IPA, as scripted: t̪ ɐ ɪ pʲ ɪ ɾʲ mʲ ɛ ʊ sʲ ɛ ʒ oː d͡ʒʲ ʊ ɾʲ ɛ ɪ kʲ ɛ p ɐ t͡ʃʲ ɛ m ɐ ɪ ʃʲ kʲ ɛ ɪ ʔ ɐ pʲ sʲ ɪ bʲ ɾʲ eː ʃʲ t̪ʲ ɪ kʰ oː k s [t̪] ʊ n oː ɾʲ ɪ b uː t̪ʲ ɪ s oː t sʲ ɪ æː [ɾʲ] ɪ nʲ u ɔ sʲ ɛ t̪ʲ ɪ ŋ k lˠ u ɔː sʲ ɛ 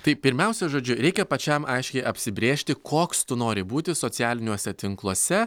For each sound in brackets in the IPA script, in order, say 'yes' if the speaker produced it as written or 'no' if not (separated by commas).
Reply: yes, no